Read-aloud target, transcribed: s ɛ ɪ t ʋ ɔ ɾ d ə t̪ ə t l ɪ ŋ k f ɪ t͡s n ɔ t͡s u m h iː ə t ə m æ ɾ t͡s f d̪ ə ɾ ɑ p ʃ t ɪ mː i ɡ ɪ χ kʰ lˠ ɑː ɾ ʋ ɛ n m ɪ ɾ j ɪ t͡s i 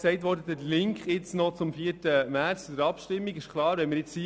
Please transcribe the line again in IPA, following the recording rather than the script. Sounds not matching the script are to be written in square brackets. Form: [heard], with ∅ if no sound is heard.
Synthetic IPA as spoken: s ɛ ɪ t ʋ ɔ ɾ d ə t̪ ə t l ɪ ŋ k [χ] ɪ t͡s n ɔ t͡s [ʊ] m [f] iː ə t ə m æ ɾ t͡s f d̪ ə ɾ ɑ p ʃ t ɪ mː i ɡ ɪ [ʃ] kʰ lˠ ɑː ɾ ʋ ɛ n m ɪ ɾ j ɪ t͡s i